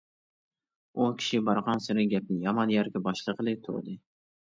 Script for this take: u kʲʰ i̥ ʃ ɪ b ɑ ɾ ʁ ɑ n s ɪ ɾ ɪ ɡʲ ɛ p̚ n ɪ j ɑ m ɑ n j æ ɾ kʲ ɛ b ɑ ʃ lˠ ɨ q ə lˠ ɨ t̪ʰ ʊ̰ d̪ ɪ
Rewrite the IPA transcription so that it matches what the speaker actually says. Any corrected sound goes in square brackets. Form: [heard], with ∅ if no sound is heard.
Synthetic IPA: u kʲʰ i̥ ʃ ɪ b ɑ ɾ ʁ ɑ n s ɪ ɾ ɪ ɡʲ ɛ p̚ n ɪ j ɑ m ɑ n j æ ɾ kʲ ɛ b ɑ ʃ lˠ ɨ q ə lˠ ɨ t̪ʰ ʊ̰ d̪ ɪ